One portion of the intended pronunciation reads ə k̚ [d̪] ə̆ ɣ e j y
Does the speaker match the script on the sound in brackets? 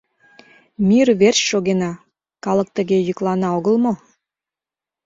no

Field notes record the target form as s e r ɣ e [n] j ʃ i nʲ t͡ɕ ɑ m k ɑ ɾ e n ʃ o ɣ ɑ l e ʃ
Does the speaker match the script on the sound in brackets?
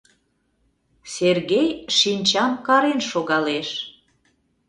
no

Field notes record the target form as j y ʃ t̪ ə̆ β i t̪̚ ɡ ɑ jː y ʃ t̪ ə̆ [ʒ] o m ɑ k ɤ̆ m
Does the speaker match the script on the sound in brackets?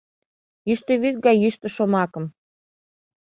no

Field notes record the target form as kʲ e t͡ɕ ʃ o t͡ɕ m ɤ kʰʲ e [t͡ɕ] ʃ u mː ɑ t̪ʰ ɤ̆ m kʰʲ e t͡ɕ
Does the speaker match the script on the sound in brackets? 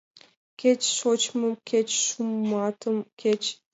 yes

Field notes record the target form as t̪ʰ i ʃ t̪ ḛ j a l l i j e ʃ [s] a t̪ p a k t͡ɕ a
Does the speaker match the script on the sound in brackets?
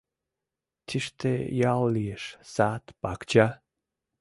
yes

